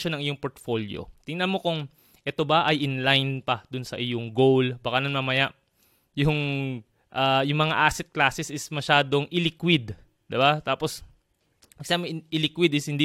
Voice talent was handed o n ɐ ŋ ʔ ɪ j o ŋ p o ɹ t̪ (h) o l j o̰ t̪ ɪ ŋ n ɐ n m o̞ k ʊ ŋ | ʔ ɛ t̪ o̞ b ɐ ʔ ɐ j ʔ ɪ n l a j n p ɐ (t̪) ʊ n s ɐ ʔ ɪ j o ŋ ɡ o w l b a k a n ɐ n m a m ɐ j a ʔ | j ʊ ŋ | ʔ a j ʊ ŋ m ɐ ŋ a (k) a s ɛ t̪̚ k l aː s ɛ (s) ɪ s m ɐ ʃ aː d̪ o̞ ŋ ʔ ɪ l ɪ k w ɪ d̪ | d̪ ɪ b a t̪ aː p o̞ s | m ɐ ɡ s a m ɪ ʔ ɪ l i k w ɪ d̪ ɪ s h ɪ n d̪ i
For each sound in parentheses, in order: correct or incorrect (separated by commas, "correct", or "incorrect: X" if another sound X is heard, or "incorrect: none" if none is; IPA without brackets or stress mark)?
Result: incorrect: f, incorrect: d̪, incorrect: ʔ, correct